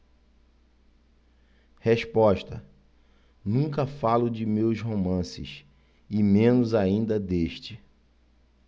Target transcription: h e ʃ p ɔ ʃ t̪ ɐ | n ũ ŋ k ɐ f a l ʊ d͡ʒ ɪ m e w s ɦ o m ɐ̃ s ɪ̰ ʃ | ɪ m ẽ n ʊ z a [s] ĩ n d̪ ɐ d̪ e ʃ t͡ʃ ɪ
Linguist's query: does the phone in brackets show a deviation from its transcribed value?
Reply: yes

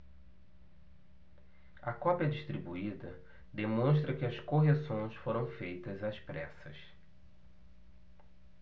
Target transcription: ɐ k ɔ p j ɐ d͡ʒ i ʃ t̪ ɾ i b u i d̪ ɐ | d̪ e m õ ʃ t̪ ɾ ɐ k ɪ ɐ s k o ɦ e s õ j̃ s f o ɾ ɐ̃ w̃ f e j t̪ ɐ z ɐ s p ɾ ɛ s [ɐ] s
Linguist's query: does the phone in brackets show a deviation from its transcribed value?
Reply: no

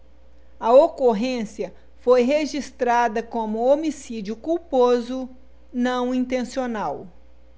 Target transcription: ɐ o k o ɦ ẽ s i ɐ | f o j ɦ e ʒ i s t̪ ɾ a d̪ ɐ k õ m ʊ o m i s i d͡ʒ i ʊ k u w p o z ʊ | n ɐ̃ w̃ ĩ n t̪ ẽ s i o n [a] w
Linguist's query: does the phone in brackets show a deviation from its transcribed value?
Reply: no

